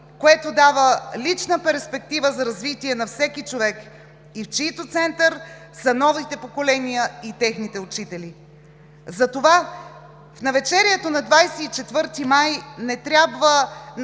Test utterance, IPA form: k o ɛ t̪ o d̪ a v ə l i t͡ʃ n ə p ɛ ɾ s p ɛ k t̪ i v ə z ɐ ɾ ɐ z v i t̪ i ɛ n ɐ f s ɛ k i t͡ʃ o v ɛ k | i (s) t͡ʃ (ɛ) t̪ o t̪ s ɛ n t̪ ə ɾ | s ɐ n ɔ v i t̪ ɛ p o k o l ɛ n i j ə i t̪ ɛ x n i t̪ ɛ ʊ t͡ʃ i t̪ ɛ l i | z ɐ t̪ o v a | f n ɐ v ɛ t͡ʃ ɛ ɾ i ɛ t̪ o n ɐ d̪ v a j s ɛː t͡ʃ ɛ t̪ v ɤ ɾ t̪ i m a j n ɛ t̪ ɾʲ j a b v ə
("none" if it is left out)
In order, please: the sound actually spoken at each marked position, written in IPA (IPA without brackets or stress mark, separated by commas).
f, i